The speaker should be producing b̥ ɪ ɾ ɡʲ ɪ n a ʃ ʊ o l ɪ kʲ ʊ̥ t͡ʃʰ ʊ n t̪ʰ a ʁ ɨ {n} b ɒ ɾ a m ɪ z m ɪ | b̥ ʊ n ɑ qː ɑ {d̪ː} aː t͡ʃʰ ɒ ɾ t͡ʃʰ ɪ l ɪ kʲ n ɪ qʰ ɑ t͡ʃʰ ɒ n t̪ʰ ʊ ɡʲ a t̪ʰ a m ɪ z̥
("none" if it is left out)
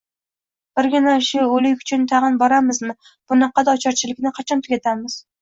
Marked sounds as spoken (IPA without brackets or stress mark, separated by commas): n, d̪